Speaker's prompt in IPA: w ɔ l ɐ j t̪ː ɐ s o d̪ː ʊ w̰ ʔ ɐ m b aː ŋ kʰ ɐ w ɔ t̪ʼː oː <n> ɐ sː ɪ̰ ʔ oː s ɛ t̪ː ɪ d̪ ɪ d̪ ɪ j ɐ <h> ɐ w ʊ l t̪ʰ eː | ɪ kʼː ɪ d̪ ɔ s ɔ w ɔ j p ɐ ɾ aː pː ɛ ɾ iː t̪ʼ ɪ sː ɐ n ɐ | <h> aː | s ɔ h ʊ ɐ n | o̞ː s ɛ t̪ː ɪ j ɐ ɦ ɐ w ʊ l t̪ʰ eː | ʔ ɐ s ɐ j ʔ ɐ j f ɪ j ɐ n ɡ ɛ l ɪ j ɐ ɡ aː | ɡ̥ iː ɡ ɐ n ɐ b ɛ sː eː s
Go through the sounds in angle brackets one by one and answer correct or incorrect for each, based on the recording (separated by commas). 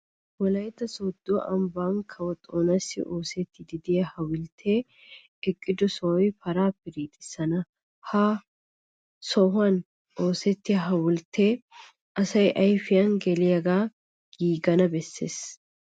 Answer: correct, correct, correct